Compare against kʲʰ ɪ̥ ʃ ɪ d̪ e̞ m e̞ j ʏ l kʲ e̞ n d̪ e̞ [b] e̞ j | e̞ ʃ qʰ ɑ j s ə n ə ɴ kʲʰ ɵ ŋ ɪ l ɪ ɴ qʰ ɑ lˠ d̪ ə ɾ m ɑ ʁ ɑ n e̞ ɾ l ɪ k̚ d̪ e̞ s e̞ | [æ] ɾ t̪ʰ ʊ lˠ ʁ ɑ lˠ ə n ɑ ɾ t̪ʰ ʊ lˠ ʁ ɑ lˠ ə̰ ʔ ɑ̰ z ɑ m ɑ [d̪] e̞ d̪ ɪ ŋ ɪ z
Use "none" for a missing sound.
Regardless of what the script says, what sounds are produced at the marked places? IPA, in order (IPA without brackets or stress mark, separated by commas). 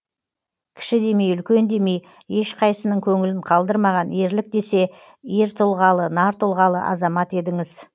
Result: m, e, t̪